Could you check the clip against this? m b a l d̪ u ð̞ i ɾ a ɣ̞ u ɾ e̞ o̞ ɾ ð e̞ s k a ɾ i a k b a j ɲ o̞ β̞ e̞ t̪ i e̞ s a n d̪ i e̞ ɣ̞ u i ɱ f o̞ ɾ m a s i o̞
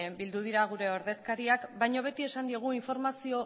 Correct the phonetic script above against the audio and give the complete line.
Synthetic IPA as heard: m b i l d̪ u ð̞ i ɾ a ɣ̞ u ɾ e̞ o̞ ɾ ð e̞ s k a ɾ i a k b a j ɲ o̞ β̞ e̞ t̪ i e̞ s a n d̪ i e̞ ɣ̞ u i ɱ f o̞ ɾ m a s i o̞